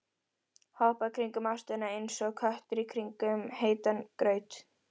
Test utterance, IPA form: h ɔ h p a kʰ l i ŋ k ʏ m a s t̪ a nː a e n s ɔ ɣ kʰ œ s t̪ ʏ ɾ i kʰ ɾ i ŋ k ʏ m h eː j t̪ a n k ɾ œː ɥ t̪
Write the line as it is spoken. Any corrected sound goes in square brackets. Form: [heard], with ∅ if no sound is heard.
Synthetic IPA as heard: h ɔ h p a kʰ [ɾ] i ŋ k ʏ m a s t̪ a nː a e n s ɔ ɣ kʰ œ [h] t̪ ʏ ɾ i kʰ ɾ i ŋ k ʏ m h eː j t̪ a n k ɾ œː ɥ t̪